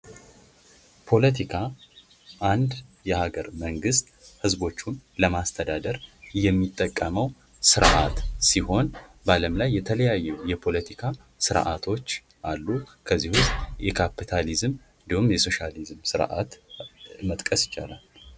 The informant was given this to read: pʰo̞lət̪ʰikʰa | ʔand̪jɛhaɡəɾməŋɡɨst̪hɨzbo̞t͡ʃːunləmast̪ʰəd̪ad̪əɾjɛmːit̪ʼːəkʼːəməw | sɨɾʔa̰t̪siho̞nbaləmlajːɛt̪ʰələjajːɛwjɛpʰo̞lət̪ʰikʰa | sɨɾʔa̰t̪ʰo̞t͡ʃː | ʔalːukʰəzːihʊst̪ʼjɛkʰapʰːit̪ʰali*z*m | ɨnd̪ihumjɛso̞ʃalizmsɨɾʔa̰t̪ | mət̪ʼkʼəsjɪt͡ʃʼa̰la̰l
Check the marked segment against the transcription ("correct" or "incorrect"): correct